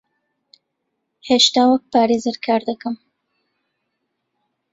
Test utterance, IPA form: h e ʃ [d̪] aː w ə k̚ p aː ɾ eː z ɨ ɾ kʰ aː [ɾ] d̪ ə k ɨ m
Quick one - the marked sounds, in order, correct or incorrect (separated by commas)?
incorrect, correct